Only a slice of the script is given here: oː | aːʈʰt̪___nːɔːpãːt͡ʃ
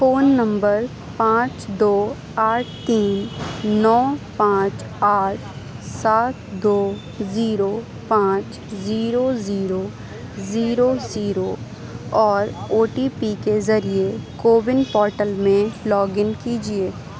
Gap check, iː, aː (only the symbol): iː